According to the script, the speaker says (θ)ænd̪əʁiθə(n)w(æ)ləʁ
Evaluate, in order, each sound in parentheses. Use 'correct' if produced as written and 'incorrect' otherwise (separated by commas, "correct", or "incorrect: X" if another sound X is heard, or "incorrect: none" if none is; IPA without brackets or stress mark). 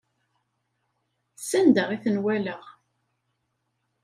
incorrect: s, correct, correct